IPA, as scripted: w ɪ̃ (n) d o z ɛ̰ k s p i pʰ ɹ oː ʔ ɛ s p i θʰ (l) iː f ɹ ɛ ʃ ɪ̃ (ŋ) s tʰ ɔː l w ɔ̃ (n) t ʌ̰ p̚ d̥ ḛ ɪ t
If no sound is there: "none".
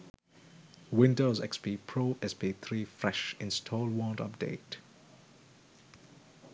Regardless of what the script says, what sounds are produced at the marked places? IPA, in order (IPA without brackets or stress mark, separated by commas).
n, ɹ, n, n